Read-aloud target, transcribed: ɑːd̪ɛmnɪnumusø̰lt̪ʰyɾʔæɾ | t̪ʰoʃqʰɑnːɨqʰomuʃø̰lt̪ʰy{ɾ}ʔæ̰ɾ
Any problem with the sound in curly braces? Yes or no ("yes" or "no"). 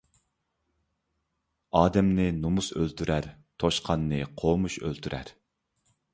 no